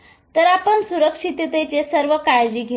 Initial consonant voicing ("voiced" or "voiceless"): voiceless